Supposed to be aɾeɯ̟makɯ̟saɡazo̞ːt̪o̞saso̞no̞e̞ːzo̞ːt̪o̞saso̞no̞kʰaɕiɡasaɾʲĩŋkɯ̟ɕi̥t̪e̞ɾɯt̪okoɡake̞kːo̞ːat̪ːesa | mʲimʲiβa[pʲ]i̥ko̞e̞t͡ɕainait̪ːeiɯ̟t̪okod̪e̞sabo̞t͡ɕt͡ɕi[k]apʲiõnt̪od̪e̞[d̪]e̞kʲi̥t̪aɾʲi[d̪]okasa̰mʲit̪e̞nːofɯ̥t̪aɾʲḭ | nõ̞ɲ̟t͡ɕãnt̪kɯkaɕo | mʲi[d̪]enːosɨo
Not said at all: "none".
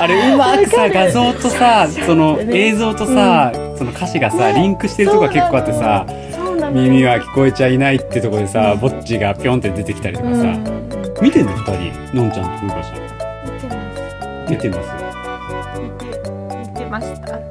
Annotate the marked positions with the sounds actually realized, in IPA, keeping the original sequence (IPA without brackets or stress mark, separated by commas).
kʲ, ɡ, t̪, t̪, t̪